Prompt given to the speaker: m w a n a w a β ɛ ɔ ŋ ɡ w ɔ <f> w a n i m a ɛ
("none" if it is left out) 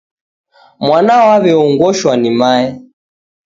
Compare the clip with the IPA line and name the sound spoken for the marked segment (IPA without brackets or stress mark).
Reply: ʃ